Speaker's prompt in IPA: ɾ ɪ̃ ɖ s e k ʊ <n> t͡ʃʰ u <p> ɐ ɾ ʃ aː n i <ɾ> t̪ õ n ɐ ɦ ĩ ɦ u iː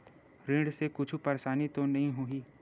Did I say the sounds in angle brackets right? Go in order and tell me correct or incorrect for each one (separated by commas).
incorrect, correct, incorrect